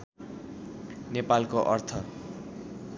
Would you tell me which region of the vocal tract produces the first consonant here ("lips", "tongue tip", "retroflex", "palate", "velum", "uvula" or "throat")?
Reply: tongue tip